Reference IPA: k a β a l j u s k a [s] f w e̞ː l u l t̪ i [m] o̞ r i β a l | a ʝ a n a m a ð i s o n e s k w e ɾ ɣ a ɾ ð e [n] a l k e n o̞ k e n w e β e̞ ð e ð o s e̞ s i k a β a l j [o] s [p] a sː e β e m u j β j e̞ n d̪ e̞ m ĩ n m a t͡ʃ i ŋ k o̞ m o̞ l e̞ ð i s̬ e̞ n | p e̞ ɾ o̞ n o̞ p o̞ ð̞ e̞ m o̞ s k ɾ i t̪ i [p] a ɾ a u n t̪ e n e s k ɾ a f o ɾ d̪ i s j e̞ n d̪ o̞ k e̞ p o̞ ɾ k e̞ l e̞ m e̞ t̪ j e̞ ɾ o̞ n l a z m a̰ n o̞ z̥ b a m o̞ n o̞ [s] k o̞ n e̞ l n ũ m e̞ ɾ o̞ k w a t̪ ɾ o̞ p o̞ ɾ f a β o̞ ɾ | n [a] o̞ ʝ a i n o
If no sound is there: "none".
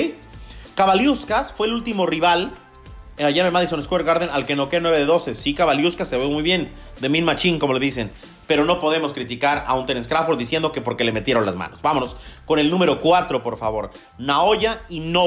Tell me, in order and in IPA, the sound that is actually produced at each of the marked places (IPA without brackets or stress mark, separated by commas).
s, m, n, u, k, k, s, a